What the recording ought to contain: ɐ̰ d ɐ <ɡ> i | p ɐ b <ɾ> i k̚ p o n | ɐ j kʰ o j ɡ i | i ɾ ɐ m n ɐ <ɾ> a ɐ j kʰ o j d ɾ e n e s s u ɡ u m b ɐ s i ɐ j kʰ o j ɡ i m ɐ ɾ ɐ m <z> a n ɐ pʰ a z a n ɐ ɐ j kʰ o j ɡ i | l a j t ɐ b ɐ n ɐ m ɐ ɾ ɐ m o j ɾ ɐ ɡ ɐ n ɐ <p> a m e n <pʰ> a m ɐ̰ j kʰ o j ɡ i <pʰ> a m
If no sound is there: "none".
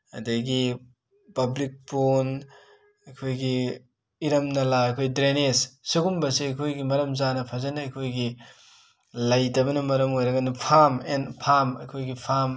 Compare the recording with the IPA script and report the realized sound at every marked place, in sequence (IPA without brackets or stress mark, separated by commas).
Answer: ɡ, l, l, z, pʰ, pʰ, pʰ